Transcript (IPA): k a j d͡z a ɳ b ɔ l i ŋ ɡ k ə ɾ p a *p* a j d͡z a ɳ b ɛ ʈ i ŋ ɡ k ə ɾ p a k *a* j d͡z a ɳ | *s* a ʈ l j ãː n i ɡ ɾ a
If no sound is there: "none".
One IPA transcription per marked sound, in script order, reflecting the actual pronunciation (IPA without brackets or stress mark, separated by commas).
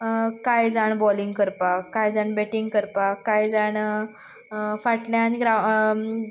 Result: k, a, f